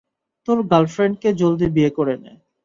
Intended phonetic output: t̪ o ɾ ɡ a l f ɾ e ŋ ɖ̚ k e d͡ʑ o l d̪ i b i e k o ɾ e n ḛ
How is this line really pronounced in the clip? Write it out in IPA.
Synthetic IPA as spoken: t̪ o ɾ ɡ a l f ɾ e ɳ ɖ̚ k e d͡ʑ o l d̪ i b i e k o ɾ e n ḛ